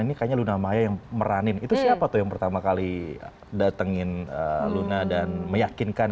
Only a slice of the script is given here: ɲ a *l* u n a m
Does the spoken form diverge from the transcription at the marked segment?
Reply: no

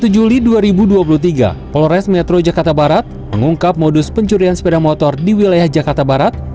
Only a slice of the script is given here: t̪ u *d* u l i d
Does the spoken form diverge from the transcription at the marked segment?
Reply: yes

